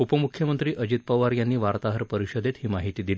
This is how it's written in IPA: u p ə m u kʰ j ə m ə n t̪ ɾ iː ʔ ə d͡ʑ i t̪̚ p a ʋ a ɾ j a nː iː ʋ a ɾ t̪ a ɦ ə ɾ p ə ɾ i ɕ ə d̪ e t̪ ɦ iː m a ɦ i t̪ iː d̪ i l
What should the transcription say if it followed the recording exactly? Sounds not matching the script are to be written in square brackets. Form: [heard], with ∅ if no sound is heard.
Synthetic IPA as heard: u p ə m u kʰ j ə m ə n t̪ ɾ iː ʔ ə d͡ʑ i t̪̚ p [ə] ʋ a ɾ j a nː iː ʋ a ɾ t̪ a ɦ ə ɾ p ə ɾ i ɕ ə d̪ e t̪ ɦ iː m a ɦ i t̪ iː d̪ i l